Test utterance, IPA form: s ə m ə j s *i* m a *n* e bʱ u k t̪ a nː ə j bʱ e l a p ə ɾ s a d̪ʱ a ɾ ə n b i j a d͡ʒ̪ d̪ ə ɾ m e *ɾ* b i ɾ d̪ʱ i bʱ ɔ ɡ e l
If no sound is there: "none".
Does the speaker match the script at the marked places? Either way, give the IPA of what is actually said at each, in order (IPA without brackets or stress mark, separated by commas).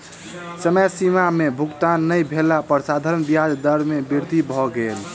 i, m, none